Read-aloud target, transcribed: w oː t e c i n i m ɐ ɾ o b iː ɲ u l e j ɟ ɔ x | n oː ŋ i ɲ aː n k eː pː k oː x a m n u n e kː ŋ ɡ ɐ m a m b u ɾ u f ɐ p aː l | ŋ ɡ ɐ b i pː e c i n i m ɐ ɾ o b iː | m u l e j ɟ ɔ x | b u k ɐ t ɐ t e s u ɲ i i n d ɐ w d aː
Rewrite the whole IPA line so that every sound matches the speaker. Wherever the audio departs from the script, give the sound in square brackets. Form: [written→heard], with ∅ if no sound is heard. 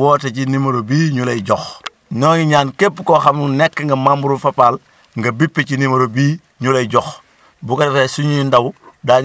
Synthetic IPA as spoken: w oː t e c i n i m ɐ ɾ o b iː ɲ u l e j ɟ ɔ x | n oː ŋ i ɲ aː n k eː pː k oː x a m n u n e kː ŋ ɡ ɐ m a m b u ɾ u f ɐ p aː l | ŋ ɡ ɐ b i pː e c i n i m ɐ ɾ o b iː | [m→ɲ] u l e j ɟ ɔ x | b u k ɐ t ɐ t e s u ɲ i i n d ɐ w d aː